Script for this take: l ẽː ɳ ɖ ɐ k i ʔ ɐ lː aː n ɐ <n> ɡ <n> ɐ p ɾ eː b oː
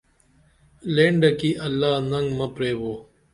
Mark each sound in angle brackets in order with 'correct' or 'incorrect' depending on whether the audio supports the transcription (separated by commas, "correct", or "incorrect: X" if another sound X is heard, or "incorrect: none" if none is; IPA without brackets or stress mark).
incorrect: ŋ, incorrect: m